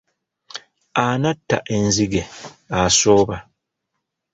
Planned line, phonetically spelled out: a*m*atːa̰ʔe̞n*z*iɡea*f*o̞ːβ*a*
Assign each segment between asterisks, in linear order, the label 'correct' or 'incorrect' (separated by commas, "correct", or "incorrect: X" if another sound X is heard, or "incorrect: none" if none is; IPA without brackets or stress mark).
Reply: incorrect: n, correct, incorrect: s, correct